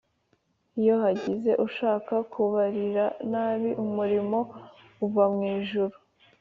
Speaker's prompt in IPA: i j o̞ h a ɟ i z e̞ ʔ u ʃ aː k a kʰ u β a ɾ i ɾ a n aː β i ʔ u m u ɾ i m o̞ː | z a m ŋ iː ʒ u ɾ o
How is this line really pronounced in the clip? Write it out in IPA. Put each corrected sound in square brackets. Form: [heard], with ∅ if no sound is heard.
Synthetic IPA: i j o̞ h a ɟ i z e̞ ʔ u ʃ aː k a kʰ u β a ɾ i ɾ a n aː β i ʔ u m u ɾ i m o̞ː | [v] a m ŋ iː ʒ u ɾ [u]